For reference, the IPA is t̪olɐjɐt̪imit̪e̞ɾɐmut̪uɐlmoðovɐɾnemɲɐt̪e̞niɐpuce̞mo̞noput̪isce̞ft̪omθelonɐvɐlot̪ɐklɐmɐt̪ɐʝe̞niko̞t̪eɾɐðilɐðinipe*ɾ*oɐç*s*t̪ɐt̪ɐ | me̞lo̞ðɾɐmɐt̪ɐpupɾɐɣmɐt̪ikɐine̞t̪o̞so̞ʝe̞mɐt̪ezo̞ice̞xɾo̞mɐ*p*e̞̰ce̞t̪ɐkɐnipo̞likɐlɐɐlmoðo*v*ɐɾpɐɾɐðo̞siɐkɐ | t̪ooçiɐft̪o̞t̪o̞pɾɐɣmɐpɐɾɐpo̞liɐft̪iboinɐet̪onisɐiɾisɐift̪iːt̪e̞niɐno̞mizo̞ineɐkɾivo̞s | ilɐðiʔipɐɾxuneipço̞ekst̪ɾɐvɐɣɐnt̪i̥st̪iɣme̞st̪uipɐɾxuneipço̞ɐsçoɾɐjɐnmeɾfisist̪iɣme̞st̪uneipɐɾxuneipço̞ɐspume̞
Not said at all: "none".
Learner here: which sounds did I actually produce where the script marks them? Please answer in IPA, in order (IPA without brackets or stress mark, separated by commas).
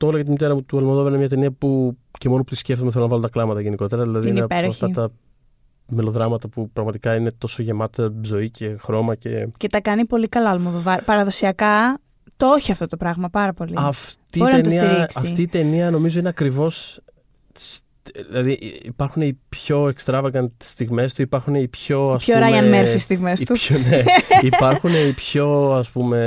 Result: ɾ, f, c, v